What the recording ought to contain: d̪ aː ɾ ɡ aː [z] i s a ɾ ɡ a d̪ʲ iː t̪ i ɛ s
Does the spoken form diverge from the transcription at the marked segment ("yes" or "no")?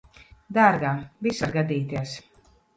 yes